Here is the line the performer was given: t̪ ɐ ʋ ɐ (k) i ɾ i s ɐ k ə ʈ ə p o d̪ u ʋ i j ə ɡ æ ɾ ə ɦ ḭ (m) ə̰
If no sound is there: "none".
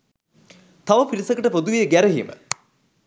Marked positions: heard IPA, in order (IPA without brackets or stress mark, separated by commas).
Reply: p, m